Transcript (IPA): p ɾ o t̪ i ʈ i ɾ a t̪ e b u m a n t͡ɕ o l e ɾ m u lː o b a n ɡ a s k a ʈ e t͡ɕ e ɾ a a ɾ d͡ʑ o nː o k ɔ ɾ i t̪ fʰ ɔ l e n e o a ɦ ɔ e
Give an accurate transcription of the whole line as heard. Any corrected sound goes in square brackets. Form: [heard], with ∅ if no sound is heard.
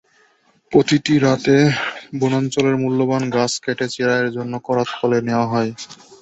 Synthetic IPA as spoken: p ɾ o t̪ i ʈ i ɾ a t̪ e b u [n] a n t͡ɕ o l e ɾ m u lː o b a n ɡ a s k [ɛ] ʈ e t͡ɕ e ɾ a [e] ɾ d͡ʑ o nː o k ɔ ɾ [a] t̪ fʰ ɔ l e n e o a ɦ ɔ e